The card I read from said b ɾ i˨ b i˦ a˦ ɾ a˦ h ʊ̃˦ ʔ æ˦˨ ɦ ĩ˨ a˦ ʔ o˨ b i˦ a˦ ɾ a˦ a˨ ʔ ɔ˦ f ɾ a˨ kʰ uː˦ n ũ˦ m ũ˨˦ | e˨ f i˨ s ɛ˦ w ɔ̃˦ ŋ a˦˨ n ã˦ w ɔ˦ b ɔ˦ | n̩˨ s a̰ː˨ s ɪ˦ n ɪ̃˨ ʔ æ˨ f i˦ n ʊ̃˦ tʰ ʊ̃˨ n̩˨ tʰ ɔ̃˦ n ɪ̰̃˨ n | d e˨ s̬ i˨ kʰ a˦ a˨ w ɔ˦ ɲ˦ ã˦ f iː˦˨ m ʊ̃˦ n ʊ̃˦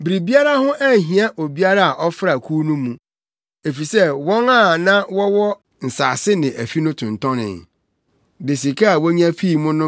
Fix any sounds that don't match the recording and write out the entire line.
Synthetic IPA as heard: b ɾ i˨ b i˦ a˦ ɾ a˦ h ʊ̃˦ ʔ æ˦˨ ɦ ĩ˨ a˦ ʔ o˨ b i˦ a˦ ɾ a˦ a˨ ʔ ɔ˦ f ɾ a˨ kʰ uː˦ n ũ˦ m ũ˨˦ | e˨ f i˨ s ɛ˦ w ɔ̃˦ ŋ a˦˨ n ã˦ w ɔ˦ w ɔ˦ | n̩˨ s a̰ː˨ s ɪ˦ n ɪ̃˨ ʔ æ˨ f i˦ n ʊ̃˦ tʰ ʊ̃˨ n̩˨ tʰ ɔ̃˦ n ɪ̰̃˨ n | d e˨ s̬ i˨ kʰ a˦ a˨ w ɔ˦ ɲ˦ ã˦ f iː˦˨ m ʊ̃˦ n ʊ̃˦